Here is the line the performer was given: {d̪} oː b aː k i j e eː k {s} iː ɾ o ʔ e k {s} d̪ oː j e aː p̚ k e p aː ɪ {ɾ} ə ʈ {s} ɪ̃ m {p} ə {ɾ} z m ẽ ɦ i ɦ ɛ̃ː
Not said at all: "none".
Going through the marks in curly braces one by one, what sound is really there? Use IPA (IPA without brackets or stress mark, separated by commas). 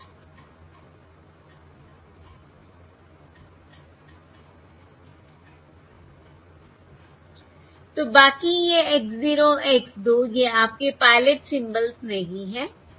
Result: t̪, z, s, l, s, b, l